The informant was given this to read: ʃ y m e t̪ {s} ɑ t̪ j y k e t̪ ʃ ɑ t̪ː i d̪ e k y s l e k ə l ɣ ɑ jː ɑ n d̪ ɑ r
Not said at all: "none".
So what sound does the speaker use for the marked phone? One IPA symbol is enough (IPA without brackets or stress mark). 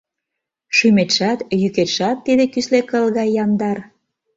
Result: ʃ